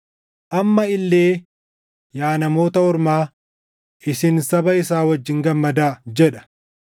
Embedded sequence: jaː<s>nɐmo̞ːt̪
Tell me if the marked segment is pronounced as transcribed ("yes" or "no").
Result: no